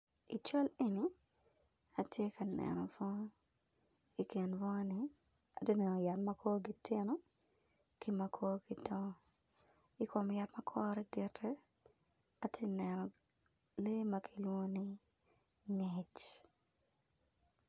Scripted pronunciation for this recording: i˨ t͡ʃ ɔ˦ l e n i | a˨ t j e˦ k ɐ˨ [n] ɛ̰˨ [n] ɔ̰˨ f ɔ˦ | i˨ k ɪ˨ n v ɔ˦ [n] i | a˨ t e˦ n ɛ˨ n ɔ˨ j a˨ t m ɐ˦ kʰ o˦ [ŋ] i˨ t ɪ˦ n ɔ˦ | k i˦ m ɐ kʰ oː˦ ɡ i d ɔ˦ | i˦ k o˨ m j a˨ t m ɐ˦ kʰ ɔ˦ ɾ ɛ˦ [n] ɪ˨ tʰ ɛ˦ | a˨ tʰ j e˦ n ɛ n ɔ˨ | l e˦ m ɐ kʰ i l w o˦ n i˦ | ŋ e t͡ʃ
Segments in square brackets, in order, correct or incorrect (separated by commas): correct, correct, correct, incorrect, incorrect